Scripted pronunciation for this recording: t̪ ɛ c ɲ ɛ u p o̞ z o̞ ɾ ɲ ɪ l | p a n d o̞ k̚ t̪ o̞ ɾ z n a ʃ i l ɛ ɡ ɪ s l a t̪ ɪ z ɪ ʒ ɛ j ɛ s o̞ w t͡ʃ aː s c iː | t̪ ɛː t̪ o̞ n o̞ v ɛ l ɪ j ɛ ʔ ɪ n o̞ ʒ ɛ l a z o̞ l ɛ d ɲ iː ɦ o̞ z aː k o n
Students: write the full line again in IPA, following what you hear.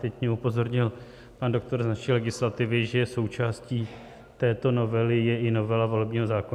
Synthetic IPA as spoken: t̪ ɛ c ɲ ɛ u p o̞ z o̞ ɾ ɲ ɪ l | p a n d o̞ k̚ t̪ o̞ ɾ z n a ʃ i l ɛ ɡ ɪ s l a t̪ ɪ v ɪ ʒ ɛ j ɛ s o̞ w t͡ʃ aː s c iː | t̪ ɛː t̪ o̞ n o̞ v ɛ l ɪ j ɛ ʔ ɪ n o̞ v ɛ l a v o̞ l ɛ b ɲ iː ɦ o̞ z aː k o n